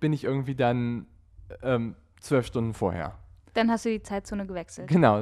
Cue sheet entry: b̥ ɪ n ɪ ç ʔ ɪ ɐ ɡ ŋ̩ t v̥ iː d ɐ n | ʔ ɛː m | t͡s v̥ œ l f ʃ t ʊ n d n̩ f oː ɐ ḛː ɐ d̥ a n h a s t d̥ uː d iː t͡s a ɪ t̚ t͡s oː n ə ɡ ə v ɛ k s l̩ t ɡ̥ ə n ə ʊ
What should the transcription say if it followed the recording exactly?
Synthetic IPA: b̥ ɪ n ɪ ç ʔ ɪ ɐ ɡ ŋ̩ t v̥ iː d a n | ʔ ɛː m | t͡s v̥ œ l f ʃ t ʊ n d n̩ f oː ɐ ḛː ɐ d̥ a n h a s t d̥ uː d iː t͡s a ɪ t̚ t͡s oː n ə ɡ ə v ɛ k s l̩ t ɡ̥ ə n a ʊ